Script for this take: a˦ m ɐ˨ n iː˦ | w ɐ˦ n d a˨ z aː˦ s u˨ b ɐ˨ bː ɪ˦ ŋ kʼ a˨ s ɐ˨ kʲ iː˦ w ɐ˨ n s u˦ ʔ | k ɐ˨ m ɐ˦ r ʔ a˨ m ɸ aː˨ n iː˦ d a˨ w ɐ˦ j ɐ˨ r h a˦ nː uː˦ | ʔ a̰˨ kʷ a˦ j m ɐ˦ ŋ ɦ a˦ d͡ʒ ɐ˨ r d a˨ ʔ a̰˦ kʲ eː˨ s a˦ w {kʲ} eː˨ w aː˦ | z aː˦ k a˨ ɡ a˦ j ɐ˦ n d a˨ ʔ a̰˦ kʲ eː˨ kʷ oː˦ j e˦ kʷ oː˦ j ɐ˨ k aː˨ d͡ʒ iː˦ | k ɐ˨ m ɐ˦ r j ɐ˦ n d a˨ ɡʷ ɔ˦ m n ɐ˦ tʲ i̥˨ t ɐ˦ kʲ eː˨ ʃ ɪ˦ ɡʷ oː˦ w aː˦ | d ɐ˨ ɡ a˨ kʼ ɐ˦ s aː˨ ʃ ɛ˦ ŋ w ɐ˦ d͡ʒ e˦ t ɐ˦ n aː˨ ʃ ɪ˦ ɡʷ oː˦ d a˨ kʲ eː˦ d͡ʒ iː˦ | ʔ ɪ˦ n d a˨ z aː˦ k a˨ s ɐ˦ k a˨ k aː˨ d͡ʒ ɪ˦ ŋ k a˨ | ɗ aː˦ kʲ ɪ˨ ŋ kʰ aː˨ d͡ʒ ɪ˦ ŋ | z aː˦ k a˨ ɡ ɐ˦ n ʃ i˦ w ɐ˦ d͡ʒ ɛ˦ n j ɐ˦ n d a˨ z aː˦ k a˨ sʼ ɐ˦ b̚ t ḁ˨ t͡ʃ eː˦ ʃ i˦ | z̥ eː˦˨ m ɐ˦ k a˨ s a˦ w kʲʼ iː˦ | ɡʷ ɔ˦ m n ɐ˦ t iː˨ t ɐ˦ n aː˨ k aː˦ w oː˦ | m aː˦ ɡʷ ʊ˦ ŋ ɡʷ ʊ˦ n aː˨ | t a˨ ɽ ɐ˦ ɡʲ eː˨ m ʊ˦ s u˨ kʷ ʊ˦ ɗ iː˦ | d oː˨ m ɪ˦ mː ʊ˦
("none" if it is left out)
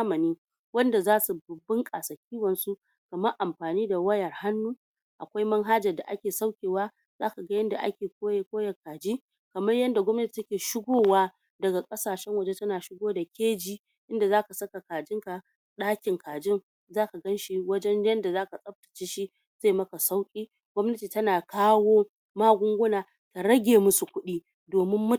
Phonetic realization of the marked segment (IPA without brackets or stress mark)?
kʲ